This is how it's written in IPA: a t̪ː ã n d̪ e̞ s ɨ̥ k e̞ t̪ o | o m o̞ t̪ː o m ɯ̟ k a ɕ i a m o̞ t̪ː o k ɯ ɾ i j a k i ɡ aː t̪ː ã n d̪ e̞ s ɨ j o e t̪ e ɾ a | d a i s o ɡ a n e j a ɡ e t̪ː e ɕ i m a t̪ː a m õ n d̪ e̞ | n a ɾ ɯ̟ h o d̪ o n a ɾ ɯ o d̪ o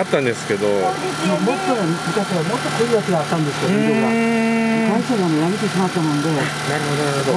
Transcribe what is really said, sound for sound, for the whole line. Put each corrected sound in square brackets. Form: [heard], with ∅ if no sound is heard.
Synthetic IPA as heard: a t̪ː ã n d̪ e̞ s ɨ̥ k e̞ [d̪] o | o m o̞ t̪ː o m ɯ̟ k a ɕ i a m o̞ t̪ː o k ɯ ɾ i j a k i ɡ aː t̪ː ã n d̪ e̞ s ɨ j o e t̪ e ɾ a | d a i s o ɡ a n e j a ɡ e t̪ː e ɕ i m a t̪ː a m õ n d̪ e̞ | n a ɾ ɯ̟ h o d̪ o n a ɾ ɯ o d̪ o

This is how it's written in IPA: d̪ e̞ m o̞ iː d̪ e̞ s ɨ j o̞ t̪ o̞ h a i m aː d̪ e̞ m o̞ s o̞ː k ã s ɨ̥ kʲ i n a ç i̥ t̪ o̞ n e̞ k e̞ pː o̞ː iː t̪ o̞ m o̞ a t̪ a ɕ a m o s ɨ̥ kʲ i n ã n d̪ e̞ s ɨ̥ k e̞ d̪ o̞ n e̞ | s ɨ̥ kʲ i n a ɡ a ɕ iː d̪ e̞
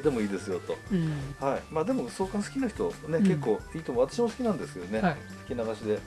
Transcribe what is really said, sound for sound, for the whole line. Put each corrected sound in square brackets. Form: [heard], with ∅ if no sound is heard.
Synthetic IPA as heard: d̪ e̞ m o̞ iː d̪ e̞ s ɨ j o̞ t̪ o̞ h a i m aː d̪ e̞ m o̞ s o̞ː k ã s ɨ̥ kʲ i n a ç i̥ t̪ o̞ n e̞ k e̞ [kː] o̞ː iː t̪ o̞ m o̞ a t̪ a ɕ [i] m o s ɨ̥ kʲ i n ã n d̪ e̞ s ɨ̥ k e̞ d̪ o̞ n e̞ | s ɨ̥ kʲ i n a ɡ a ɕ [i] d̪ e̞

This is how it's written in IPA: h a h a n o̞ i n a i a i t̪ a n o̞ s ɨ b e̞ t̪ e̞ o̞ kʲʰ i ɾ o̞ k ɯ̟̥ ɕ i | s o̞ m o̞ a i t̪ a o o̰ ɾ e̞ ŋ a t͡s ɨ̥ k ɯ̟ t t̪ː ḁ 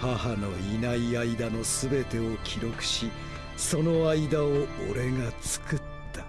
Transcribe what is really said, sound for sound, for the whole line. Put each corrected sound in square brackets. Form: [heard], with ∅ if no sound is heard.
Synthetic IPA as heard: h a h a n o̞ i n a i a i [d̪] a n o̞ s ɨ b e̞ t̪ e̞ o̞ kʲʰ i ɾ o̞ k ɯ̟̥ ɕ i | s o̞ [n] o̞ a i [d̪] a o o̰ ɾ e̞ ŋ a t͡s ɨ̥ k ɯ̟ t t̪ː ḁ

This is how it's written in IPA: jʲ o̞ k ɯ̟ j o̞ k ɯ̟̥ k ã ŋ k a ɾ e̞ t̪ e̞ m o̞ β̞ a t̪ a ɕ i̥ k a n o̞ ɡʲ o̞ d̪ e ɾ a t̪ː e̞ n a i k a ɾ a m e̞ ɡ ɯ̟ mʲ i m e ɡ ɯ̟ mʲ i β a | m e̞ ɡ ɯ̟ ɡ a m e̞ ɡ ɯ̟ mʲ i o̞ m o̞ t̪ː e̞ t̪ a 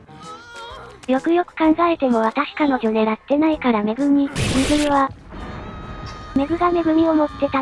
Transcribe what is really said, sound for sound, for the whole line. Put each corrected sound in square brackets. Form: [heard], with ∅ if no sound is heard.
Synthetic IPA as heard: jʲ o̞ k ɯ̟ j o̞ k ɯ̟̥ k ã ŋ [ɡ] a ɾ e̞ t̪ e̞ m o̞ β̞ a t̪ a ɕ i̥ k a n o̞ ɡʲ o̞ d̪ e ɾ a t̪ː e̞ n a i k a ɾ a m e̞ ɡ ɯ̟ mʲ i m e ɡ ɯ̟ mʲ i β a | m e̞ ɡ ɯ̟ ɡ a m e̞ ɡ ɯ̟ mʲ i o̞ m o̞ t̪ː e̞ t̪ a

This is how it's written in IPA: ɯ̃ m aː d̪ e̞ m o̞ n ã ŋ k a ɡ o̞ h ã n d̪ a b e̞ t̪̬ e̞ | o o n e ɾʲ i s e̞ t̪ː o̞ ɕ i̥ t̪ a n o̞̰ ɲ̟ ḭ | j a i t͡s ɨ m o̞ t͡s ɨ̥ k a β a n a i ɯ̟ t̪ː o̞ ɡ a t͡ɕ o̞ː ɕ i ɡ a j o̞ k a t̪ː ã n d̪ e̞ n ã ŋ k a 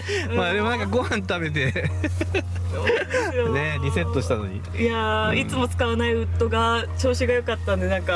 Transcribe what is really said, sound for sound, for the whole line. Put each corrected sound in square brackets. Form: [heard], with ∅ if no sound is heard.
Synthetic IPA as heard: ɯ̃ m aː d̪ e̞ m o̞ n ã ŋ k a ɡ o̞ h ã n [t̪] a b e̞ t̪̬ e̞ | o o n e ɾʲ i s e̞ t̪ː o̞ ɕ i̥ t̪ a n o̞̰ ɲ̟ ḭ | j a i t͡s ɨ m o̞ t͡s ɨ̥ k a β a n a i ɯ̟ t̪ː o̞ ɡ a t͡ɕ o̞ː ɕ i ɡ a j o̞ k a t̪ː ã n d̪ e̞ n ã ŋ k a

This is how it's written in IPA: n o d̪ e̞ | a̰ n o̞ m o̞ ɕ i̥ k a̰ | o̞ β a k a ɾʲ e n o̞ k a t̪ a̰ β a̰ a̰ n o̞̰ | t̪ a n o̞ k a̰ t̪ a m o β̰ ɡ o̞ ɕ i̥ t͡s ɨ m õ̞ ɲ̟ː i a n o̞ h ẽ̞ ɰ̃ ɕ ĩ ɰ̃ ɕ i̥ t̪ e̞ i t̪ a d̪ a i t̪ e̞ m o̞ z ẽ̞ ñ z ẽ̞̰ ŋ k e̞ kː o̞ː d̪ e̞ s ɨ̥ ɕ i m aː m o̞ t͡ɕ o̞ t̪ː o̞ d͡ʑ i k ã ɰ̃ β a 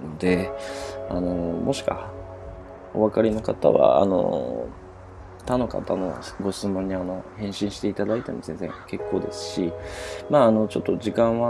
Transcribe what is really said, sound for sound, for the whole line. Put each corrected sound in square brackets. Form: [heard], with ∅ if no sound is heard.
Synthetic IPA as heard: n o d̪ e̞ | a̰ n o̞ m o̞ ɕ i̥ k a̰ | o̞ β a k a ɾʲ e n o̞ k a t̪ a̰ β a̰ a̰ n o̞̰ | t̪ a n o̞ k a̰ t̪ a [n] o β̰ ɡ o̞ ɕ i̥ t͡s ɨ m õ̞ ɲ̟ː i a n o̞ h ẽ̞ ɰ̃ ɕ ĩ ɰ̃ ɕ i̥ t̪ e̞ i t̪ a d̪ a i t̪ e̞ m o̞ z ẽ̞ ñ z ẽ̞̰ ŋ k e̞ kː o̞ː d̪ e̞ s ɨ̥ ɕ i m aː [n] o̞ t͡ɕ o̞ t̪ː o̞ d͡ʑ i k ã ɰ̃ β a

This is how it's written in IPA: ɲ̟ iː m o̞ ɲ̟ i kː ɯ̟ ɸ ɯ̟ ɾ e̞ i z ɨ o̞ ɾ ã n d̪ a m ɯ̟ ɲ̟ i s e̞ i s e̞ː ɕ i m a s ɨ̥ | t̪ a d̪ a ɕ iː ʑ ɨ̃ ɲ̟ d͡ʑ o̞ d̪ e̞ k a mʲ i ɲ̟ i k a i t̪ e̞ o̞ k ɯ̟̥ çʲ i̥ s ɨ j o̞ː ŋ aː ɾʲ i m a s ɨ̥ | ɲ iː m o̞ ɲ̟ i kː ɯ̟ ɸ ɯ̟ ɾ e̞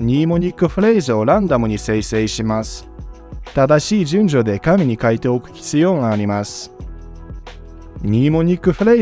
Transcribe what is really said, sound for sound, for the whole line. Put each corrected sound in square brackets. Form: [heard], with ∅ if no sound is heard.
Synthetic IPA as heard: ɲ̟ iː m o̞ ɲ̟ i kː ɯ̟ ɸ ɯ̟ ɾ e̞ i z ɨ o̞ ɾ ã n d̪ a m ɯ̟ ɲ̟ i s e̞ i s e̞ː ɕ i m a s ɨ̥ | t̪ a d̪ a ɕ iː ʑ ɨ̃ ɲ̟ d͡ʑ o̞ d̪ e̞ k a mʲ i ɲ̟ i k a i t̪ e̞ o̞ k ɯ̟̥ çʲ i̥ [t͡s] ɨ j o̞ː ŋ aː ɾʲ i m a s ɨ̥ | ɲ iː m o̞ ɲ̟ i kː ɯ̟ ɸ ɯ̟ ɾ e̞

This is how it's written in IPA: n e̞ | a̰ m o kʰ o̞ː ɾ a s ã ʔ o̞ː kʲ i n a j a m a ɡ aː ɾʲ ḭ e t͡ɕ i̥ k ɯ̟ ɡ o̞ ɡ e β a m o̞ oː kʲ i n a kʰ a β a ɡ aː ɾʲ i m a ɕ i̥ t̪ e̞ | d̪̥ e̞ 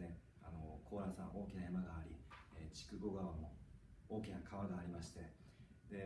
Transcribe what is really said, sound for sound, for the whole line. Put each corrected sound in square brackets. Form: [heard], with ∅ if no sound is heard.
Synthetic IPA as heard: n e̞ | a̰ [n] o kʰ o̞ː ɾ a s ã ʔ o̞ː kʲ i n a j a m a ɡ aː ɾʲ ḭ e t͡ɕ i̥ k ɯ̟ ɡ o̞ ɡ [a] β a m o̞ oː kʲ i n a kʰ a β a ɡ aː ɾʲ i m a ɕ i̥ t̪ e̞ | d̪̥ e̞

